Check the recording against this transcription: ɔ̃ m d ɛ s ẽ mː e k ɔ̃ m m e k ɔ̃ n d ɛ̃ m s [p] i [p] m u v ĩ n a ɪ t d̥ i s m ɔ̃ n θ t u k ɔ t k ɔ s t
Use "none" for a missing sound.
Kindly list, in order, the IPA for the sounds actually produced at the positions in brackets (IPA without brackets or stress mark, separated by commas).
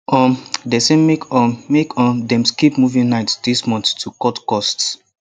k, p